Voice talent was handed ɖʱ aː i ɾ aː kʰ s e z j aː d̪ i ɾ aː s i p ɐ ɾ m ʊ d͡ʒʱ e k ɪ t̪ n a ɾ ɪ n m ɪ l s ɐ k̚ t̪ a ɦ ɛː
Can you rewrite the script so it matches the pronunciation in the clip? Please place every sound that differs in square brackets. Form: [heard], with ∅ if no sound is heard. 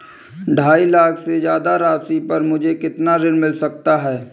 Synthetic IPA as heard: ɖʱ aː i [l] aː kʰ s e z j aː d̪ [a] ɾ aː s i p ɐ ɾ m ʊ d͡ʒʱ e k ɪ t̪ n a ɾ ɪ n m ɪ l s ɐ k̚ t̪ a ɦ ɛː